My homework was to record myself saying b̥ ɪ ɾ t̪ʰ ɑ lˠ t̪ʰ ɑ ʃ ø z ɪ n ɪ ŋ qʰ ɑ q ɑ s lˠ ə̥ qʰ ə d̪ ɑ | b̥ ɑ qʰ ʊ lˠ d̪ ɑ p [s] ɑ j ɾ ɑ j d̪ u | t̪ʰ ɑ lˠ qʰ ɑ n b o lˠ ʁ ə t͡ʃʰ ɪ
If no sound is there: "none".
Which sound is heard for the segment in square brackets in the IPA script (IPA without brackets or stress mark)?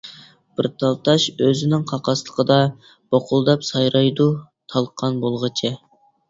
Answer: s